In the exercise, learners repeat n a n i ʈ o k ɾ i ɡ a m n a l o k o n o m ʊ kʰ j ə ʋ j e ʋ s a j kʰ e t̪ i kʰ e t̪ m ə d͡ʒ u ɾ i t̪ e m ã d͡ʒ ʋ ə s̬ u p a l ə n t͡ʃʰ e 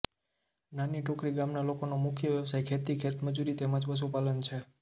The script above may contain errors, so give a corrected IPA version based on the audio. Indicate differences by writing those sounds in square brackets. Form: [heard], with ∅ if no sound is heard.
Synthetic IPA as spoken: n a n i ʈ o k ɾ i ɡ a m n a l o k o n o m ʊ kʰ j ə ʋ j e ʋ s a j kʰ e t̪ i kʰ e t̪ m ə d͡ʒ u ɾ i t̪ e m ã d͡ʒ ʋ ə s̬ u p a l ə n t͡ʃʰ e